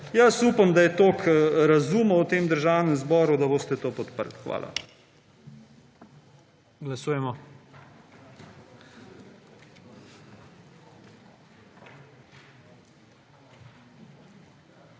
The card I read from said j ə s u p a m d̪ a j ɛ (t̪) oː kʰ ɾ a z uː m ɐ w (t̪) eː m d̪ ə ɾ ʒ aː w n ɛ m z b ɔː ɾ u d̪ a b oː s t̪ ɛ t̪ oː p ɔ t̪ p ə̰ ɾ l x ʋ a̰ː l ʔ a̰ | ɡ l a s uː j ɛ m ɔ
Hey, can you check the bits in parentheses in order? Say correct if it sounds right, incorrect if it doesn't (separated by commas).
correct, correct